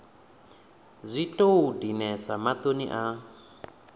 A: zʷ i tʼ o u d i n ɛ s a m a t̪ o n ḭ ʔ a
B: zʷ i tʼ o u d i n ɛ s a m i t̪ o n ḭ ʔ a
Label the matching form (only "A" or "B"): A